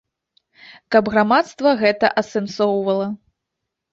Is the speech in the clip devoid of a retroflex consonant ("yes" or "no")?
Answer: yes